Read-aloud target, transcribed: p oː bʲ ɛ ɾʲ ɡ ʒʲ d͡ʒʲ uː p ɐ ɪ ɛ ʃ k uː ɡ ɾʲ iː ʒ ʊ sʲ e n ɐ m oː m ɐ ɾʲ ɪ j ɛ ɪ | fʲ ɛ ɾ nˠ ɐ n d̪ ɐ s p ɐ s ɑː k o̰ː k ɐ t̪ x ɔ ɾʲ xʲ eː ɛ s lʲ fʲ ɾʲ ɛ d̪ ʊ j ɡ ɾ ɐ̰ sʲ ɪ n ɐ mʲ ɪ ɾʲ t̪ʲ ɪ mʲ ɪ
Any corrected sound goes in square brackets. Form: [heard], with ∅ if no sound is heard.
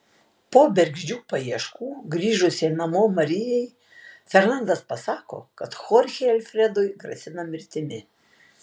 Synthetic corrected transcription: p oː bʲ ɛ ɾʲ ɡ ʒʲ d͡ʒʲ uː p ɐ [i] ɛ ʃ k uː ɡ ɾʲ iː ʒ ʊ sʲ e n ɐ m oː m ɐ ɾʲ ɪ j ɛ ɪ | fʲ ɛ ɾ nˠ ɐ n d̪ ɐ s p ɐ s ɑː k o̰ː k ɐ t̪ x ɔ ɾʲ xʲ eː ɛ [∅] lʲ fʲ ɾʲ ɛ d̪ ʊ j ɡ ɾ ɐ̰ sʲ ɪ n ɐ mʲ ɪ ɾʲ t̪ʲ ɪ mʲ ɪ

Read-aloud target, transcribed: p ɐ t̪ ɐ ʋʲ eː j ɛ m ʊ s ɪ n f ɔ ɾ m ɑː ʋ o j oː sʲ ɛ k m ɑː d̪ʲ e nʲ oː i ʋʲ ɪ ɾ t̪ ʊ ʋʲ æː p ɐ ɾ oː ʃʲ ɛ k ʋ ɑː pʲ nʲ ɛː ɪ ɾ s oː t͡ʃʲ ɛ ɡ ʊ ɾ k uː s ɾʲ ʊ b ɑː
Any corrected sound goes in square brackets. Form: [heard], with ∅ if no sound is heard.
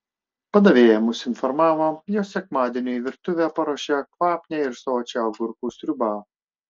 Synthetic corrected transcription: p ɐ [d̪] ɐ ʋʲ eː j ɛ m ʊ s ɪ n f ɔ ɾ m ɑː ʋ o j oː sʲ ɛ k m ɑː d̪ʲ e nʲ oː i ʋʲ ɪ ɾ t̪ ʊ ʋʲ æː p ɐ ɾ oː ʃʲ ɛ k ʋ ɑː pʲ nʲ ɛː ɪ ɾ s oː t͡ʃʲ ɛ ɡ ʊ ɾ k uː s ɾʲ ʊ b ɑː

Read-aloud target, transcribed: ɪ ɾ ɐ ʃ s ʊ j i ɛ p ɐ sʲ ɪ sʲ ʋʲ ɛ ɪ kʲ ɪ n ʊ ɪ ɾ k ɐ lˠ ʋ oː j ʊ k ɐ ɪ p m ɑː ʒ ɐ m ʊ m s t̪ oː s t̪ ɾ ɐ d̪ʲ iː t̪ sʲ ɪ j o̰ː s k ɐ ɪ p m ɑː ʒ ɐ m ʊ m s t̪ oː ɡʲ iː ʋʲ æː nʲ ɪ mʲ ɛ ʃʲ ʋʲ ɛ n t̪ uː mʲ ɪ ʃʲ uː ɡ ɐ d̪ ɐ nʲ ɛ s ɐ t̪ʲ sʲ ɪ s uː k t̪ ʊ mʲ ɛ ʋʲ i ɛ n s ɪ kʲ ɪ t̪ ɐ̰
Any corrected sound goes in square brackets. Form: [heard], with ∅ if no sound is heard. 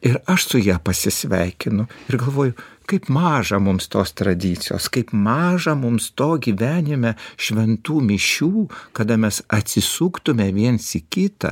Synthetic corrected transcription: ɪ ɾ ɐ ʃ s ʊ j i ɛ p ɐ sʲ ɪ sʲ ʋʲ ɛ ɪ kʲ ɪ n ʊ ɪ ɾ [ɡ] ɐ lˠ ʋ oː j ʊ k ɐ ɪ p m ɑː ʒ ɐ m ʊ m s t̪ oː s t̪ ɾ ɐ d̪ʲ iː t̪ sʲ ɪ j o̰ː s k ɐ ɪ p m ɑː ʒ ɐ m ʊ m s t̪ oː ɡʲ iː ʋʲ æː nʲ ɪ mʲ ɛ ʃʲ ʋʲ ɛ n t̪ uː mʲ ɪ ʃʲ uː [k] ɐ d̪ ɐ [mʲ] ɛ s ɐ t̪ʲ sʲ ɪ s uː k t̪ ʊ mʲ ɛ ʋʲ i ɛ n s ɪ kʲ ɪ t̪ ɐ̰

